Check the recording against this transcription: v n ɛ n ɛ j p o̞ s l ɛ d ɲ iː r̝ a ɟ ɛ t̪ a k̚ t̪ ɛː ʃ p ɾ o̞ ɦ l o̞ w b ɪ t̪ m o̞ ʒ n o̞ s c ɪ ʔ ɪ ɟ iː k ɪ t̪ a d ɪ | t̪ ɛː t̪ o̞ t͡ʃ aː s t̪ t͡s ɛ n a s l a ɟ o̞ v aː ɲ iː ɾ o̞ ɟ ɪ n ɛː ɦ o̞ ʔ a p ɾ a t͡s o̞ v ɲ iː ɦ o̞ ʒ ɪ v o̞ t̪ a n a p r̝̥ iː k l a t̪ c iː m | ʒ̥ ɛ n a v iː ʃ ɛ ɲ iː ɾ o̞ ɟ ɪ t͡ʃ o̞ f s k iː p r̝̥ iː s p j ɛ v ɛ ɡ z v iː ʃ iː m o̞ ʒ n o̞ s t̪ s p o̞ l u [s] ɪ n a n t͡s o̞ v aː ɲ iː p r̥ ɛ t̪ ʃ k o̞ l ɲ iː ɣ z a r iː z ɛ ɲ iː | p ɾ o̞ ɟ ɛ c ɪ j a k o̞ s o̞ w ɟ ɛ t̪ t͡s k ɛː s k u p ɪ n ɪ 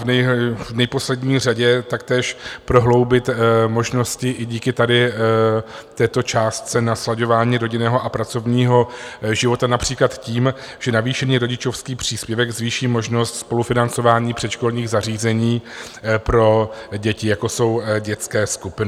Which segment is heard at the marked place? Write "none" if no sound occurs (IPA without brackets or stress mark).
f